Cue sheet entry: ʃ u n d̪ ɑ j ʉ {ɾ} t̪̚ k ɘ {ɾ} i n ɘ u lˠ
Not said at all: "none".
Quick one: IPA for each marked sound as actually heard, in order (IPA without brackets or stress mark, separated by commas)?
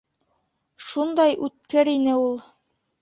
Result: none, ɾ